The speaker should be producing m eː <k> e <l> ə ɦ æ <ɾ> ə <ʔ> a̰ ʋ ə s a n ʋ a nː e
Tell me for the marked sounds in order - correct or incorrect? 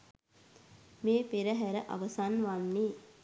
incorrect: p, incorrect: ɾ, correct, correct

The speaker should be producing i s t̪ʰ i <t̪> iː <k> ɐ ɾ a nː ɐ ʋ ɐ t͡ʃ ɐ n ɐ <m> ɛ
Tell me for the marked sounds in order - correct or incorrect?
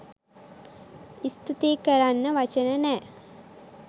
correct, correct, incorrect: n

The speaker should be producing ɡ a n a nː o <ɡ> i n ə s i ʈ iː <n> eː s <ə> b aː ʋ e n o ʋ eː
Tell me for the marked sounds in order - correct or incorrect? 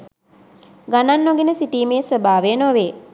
correct, incorrect: m, correct

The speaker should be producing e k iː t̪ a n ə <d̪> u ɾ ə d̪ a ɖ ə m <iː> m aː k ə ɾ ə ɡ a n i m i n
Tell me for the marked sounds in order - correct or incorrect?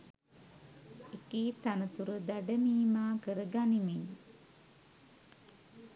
incorrect: t̪, correct

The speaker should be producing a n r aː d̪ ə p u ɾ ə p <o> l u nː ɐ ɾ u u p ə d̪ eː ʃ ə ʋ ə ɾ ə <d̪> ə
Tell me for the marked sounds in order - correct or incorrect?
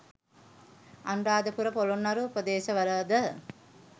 correct, correct

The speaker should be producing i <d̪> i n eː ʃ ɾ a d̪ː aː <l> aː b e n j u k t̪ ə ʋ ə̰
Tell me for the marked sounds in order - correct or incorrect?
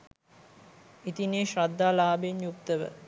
incorrect: t̪, correct

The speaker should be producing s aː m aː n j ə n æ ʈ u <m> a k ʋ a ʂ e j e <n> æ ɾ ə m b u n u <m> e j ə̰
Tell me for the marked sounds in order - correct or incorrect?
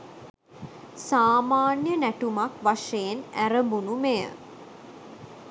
correct, correct, correct

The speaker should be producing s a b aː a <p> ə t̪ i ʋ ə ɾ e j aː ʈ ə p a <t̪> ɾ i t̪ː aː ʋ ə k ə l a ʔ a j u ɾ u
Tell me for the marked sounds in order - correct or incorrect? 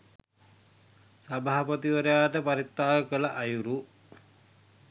correct, incorrect: none

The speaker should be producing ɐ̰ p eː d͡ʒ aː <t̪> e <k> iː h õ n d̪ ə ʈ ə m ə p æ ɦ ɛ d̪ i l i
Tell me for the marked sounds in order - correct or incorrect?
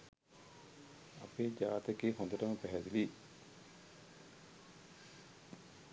correct, correct

